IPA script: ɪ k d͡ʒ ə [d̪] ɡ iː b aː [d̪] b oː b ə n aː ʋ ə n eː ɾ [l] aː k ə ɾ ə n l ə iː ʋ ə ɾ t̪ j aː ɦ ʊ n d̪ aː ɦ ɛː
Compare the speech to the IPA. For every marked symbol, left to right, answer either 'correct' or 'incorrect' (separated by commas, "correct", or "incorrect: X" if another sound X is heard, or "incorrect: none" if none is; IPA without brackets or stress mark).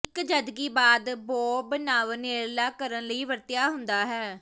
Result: correct, correct, correct